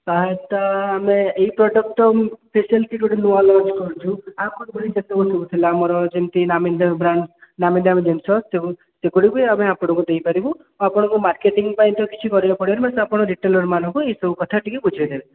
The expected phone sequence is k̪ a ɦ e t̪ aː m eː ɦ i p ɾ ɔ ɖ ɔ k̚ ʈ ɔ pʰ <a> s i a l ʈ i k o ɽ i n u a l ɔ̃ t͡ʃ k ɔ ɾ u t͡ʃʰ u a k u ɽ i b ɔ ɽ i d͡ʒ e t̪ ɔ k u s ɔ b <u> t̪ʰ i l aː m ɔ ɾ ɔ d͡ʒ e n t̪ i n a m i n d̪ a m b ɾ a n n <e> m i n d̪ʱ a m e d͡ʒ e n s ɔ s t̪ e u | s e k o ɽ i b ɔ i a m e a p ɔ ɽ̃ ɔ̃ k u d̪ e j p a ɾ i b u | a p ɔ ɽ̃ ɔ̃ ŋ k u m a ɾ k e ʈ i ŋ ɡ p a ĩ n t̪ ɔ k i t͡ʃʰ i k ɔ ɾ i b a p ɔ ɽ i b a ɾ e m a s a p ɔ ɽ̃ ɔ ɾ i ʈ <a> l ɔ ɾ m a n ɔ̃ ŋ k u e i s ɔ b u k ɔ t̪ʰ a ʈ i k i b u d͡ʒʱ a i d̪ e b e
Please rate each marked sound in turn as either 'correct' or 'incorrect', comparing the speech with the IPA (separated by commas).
incorrect, correct, incorrect, incorrect